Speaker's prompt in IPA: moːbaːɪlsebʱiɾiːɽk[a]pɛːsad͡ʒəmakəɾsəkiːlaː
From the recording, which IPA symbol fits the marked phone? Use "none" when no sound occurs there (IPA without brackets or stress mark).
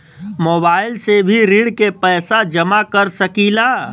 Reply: e